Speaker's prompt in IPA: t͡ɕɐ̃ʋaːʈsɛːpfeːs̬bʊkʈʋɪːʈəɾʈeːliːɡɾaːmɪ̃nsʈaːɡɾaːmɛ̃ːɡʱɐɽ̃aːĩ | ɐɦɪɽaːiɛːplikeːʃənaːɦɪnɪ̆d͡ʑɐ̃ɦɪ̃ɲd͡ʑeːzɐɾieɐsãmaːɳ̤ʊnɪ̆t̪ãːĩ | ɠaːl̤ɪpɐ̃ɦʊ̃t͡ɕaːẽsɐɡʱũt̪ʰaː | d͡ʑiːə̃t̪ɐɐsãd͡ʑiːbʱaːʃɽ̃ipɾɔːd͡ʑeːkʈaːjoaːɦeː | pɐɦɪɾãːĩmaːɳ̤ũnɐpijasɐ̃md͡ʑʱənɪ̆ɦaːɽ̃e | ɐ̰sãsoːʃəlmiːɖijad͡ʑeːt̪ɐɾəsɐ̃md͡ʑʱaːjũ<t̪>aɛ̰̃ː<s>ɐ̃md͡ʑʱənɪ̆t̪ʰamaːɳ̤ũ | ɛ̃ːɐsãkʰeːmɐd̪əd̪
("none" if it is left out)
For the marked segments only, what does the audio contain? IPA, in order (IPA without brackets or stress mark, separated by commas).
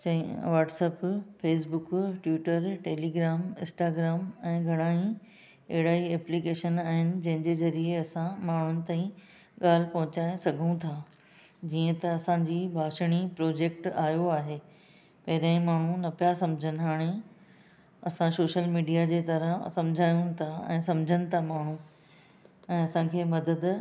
t̪ʰ, s